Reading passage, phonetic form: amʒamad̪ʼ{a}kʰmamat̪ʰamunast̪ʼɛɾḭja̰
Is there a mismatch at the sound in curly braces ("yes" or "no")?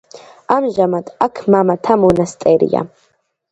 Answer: no